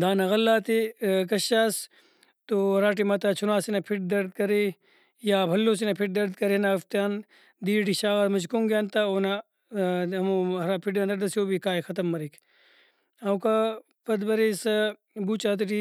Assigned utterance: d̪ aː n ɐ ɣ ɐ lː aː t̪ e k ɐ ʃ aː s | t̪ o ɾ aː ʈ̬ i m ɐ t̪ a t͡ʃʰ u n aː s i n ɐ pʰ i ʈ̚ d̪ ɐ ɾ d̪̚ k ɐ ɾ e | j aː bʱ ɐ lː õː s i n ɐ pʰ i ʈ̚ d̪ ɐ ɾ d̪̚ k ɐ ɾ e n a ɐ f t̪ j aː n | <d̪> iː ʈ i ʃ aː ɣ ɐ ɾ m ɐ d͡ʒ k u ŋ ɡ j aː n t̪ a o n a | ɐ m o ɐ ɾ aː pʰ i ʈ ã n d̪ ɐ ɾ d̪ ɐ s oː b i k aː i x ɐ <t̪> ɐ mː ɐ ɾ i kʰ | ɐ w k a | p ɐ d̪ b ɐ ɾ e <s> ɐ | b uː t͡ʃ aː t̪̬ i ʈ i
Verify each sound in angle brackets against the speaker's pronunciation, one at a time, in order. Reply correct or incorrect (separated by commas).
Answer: correct, correct, correct